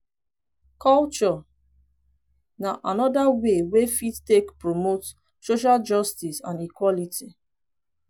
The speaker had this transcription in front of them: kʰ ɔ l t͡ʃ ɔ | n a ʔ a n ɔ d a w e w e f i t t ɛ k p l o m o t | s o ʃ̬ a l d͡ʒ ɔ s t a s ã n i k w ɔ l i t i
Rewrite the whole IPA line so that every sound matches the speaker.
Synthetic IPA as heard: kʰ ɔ l t͡ʃ ɔ | n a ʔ a n ɔ d a w e w e f i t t e k p ɹ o m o t | s o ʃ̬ a l d͡ʒ ɔ s t i s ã n i k w ɔ l i t i